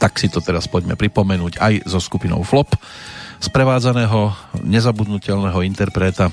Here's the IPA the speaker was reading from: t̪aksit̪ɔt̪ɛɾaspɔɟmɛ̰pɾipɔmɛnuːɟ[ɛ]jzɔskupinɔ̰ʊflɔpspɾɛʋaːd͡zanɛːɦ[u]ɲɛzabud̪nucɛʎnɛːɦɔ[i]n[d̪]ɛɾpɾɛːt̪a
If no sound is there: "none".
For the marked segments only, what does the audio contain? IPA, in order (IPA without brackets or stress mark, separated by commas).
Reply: a, ɔ, i, t̪